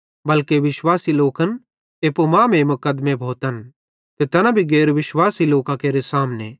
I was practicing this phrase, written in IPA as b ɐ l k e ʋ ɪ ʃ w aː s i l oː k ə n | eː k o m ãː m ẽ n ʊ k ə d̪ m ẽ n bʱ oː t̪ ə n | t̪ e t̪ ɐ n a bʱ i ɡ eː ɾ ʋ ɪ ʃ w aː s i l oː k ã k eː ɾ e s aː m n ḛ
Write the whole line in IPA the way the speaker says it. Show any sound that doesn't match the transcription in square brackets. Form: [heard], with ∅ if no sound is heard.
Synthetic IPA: b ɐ l k e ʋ ɪ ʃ w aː s i l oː k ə n | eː [p] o m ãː m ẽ [m] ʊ k ə d̪ m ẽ [∅] bʱ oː t̪ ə n | t̪ e t̪ ɐ n a bʱ i ɡ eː ɾ ʋ ɪ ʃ w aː s i l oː k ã k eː ɾ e s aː m n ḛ